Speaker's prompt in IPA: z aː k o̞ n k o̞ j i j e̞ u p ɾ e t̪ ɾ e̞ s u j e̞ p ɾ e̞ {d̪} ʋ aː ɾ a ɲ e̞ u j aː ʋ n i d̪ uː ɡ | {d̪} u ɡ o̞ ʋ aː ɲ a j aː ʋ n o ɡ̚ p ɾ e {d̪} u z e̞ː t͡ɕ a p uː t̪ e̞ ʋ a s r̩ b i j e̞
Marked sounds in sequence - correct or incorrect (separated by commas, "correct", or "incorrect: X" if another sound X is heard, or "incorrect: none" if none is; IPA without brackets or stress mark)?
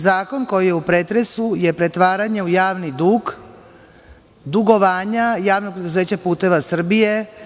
incorrect: t̪, correct, correct